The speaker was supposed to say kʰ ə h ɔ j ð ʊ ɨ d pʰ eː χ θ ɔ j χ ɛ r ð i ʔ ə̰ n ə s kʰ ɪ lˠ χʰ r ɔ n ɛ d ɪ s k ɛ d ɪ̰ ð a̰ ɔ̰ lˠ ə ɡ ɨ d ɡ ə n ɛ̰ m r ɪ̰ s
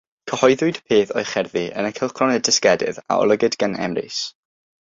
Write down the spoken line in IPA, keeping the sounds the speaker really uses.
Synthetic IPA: kʰ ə h ɔ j ð ʊ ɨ d pʰ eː θ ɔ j χ ɛ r ð i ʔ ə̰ n ə kʰ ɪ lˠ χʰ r ɔ n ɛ d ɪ s k ɛ d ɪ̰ ð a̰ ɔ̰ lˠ ə ɡ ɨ d ɡ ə n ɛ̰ m r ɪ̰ s